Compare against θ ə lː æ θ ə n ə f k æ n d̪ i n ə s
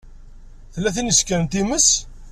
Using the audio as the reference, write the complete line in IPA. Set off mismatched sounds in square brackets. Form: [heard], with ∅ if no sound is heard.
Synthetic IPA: θ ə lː æ θ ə n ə [s] k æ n [t̪] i [m] ə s